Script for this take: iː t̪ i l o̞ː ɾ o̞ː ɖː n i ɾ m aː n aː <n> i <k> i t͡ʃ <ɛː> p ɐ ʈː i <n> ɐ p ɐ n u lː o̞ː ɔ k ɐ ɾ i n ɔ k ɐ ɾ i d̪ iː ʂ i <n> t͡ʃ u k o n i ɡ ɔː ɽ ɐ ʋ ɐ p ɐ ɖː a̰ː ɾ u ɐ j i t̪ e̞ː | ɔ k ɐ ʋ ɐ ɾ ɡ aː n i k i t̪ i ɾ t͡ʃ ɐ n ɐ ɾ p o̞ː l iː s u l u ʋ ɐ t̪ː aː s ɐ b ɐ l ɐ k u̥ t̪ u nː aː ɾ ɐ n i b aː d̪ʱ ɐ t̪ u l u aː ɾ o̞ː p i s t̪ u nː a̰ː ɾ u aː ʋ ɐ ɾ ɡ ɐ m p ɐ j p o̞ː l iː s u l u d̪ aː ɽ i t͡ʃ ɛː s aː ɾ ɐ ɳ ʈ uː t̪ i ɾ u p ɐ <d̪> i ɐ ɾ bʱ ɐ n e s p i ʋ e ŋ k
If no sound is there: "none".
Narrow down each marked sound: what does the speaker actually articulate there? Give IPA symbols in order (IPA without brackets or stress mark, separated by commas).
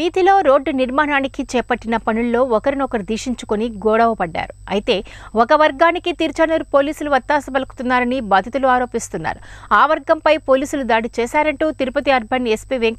n, k, ɛː, n, ɲ, t̪